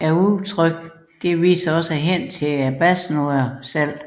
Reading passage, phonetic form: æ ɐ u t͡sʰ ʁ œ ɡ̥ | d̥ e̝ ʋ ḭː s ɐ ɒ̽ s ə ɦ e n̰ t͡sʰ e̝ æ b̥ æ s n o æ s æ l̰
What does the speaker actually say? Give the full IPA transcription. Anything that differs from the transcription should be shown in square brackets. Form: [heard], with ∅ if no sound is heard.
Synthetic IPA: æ ɐ u t͡sʰ ʁ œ ɡ̥ | d̥ e̝ ʋ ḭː s ɐ ɒ̽ s ə ɦ e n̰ t͡sʰ e̝ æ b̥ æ s n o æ s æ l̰